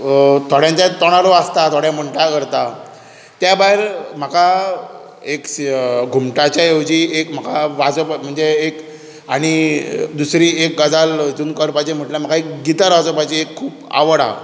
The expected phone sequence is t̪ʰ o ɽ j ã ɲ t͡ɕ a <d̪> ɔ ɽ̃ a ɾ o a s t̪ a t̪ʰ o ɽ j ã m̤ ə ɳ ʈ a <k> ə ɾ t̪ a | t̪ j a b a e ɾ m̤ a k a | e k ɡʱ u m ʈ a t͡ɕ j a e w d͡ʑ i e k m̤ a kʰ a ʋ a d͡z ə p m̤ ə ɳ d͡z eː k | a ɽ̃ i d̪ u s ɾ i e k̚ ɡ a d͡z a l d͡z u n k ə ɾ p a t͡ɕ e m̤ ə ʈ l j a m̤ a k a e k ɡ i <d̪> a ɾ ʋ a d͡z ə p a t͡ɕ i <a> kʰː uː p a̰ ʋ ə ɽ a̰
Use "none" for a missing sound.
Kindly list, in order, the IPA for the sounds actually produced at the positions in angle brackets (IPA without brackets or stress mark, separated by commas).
t̪, k, t̪, e